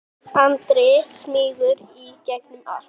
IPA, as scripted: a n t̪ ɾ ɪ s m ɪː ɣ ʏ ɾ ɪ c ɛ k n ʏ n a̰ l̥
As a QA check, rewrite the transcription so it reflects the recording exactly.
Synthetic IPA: a n t̪ ɾ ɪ s m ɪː ɣ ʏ ɾ i c ɛ k n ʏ m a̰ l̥